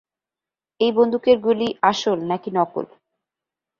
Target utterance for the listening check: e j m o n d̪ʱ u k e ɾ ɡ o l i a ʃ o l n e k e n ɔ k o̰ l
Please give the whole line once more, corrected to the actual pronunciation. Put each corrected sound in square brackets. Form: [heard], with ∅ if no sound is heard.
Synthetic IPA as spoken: e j [b] o n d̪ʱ u k e ɾ ɡ [u] l i a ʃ o l n [a] k [i] n ɔ k o̰ l